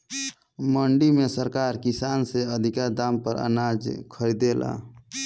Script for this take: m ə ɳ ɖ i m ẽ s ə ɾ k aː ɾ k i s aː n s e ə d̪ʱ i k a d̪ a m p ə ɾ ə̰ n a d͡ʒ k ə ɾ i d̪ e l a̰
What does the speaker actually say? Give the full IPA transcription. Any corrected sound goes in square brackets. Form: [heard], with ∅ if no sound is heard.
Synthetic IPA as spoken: m ə ɳ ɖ i m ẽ s ə ɾ k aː ɾ k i s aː n s e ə d̪ʱ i k a d̪ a m p ə ɾ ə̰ n a d͡ʒ [kʰ] ə ɾ i d̪ e l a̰